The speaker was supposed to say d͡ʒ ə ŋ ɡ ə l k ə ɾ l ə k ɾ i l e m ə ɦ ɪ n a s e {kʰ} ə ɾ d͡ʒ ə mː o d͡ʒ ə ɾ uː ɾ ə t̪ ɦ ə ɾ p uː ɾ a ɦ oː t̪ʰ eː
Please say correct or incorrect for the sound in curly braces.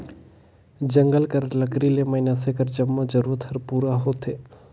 incorrect